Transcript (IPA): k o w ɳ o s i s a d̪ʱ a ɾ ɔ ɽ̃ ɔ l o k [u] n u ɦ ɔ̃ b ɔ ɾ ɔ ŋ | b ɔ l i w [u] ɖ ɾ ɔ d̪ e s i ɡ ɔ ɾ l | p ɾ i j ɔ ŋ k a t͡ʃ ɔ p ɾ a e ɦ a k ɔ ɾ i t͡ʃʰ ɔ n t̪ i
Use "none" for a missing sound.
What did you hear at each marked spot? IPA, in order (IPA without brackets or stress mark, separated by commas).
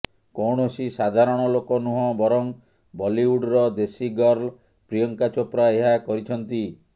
ɔ, u